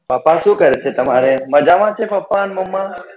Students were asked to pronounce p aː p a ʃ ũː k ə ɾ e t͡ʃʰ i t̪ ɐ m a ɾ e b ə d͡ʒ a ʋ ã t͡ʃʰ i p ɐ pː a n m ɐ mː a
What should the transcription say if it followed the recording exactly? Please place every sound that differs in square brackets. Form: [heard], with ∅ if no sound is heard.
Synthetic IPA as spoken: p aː p a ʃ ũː k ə ɾ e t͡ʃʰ [e] t̪ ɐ m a ɾ e [m] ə d͡ʒ a ʋ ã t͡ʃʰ [e] p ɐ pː a n m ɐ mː a